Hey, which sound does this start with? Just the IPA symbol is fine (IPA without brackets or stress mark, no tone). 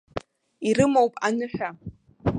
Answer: i